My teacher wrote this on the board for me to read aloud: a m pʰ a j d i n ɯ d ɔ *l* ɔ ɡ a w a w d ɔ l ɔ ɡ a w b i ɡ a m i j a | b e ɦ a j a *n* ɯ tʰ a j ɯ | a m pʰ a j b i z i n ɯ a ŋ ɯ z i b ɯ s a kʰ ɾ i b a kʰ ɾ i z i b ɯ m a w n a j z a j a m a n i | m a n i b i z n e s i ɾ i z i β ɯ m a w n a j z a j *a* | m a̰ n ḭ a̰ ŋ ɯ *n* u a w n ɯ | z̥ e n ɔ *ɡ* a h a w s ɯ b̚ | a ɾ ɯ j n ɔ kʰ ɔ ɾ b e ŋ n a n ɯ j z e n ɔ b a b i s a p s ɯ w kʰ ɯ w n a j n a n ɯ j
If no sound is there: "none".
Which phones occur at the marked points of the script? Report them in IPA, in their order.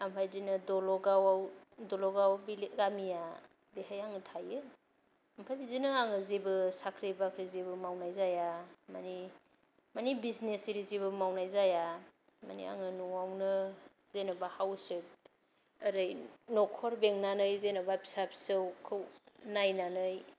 l, ŋ, a, n, b

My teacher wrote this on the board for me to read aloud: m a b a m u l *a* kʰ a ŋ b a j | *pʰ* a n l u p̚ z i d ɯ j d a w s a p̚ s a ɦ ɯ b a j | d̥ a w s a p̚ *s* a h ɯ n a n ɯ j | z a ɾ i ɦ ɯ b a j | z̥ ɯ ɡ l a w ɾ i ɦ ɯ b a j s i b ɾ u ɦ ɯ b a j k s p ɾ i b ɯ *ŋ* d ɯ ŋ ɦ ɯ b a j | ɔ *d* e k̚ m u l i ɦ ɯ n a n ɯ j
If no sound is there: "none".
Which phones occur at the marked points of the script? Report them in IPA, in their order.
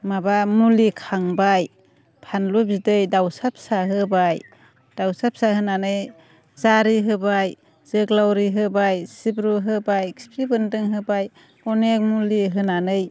i, pʰ, s, n, n

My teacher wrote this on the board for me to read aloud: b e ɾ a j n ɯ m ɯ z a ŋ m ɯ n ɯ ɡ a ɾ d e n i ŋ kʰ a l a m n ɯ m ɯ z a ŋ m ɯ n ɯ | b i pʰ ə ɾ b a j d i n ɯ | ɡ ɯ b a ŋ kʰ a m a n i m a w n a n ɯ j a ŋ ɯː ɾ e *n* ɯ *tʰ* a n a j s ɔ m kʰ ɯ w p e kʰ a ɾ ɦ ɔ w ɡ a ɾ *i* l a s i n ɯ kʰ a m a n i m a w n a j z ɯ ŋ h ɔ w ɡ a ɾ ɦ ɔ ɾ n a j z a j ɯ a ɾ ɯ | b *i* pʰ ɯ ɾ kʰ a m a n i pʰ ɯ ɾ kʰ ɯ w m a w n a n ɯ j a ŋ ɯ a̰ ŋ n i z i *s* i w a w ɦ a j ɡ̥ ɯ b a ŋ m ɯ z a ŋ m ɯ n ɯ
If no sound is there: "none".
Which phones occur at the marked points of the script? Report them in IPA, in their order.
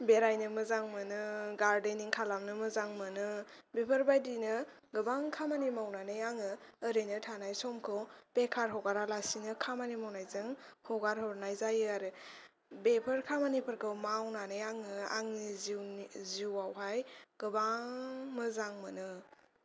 n, tʰ, a, e, z

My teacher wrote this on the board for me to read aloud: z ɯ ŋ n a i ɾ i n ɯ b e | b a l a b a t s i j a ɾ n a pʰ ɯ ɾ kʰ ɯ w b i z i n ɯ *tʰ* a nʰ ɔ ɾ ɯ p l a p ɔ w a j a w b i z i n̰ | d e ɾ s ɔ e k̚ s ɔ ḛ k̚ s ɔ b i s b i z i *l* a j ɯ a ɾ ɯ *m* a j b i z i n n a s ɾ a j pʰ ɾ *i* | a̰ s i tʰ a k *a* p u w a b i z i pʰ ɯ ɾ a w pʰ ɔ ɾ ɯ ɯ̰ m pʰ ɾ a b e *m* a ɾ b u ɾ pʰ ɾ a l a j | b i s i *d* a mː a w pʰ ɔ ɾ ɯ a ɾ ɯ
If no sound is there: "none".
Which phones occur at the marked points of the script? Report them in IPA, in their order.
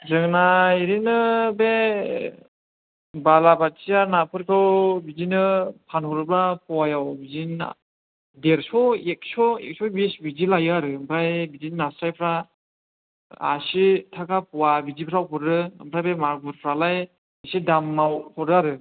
pʰ, l, b, a, a, m, d

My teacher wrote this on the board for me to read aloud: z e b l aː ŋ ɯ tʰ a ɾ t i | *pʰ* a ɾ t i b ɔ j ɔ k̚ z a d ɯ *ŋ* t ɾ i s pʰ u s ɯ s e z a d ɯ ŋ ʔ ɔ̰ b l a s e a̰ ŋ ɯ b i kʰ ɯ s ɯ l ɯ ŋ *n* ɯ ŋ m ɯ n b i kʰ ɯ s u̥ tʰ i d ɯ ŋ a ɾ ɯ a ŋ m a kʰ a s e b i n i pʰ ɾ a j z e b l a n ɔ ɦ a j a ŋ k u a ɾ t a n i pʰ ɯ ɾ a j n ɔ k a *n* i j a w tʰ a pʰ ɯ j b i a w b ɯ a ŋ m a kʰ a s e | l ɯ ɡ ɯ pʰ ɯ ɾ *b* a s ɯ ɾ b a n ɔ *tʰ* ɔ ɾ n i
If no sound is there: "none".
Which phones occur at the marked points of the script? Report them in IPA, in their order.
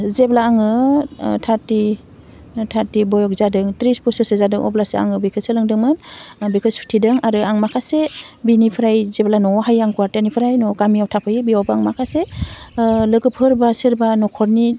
tʰ, ŋ, d, m, b, kʰ

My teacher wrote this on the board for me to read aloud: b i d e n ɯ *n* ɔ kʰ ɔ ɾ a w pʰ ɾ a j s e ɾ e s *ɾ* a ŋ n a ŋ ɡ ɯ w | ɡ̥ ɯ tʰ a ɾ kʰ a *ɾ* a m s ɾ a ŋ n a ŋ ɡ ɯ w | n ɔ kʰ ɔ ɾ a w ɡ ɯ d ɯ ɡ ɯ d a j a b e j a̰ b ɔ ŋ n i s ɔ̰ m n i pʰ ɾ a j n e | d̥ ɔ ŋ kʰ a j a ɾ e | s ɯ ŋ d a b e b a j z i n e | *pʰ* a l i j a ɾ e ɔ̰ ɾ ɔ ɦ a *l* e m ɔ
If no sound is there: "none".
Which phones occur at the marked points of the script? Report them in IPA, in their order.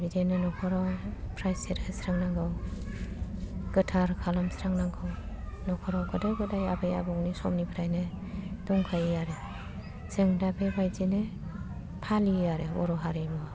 n, ɾ, l, pʰ, ɾ

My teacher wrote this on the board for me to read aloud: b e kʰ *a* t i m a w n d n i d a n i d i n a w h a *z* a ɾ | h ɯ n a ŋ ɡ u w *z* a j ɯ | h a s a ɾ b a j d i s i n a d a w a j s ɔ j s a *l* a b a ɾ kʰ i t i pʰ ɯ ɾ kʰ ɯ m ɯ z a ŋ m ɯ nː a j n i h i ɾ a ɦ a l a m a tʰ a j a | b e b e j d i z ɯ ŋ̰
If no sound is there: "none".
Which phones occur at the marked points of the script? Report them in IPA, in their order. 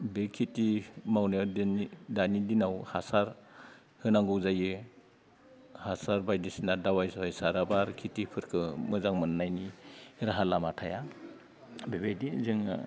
i, s, z, ɾ

